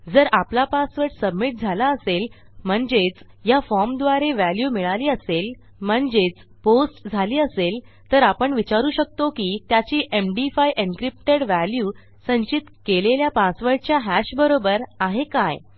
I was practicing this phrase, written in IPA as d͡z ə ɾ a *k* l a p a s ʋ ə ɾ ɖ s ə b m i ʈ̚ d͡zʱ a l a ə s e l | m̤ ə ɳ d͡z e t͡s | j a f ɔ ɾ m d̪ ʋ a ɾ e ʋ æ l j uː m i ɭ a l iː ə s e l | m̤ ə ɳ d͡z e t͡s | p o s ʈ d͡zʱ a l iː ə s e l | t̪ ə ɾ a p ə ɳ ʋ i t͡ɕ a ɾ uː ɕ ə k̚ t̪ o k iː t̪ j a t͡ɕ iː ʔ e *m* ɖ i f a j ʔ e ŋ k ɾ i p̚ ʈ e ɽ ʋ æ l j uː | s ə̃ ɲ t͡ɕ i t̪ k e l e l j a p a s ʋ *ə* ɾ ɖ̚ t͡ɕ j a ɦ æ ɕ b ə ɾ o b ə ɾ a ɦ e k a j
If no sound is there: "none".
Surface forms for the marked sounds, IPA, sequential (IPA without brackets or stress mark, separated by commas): p, m, ə